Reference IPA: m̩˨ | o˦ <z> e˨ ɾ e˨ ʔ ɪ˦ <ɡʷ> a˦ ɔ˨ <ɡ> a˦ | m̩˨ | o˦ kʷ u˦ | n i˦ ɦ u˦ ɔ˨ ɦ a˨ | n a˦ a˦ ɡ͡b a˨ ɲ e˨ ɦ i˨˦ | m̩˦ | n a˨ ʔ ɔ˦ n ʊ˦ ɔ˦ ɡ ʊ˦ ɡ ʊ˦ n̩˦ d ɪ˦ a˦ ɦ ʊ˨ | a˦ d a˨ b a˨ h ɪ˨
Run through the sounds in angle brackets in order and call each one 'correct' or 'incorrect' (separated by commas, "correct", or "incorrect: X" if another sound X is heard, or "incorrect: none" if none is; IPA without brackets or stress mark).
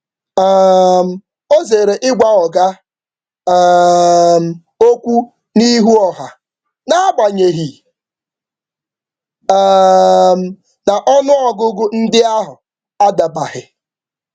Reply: correct, correct, correct